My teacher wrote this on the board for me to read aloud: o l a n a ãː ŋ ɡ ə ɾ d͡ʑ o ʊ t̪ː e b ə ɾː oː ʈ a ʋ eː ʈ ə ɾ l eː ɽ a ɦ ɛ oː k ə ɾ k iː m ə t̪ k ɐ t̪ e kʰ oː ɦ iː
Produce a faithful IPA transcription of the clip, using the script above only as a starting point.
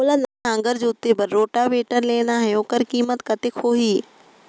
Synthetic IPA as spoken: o l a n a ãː ŋ ɡ ə ɾ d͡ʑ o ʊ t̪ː e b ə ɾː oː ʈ a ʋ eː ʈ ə ɾ l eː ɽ a ɦ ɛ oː k ə ɾ k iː m ə t̪ k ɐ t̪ e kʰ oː ɦ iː